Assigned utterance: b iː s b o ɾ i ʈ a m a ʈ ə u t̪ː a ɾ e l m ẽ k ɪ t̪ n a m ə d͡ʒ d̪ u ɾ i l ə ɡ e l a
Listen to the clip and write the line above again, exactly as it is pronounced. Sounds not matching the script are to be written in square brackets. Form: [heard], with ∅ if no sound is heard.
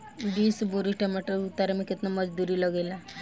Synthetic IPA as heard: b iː s b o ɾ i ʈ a m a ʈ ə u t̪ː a ɾ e [∅] m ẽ k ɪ t̪ n a m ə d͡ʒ d̪ u ɾ i l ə ɡ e l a